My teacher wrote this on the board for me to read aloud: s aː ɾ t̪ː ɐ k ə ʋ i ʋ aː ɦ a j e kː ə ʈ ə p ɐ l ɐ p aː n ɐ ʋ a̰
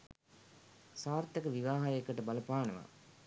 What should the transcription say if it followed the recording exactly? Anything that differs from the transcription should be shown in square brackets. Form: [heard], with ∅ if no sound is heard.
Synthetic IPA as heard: s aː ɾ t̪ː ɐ k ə ʋ i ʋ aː ɦ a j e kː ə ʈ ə [b] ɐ l ɐ p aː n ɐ ʋ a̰